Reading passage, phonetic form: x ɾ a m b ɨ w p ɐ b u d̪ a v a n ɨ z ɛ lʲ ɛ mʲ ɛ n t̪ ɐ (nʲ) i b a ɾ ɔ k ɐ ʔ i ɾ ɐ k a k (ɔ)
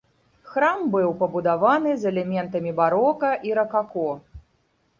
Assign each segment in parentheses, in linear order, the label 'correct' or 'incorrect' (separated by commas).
incorrect, correct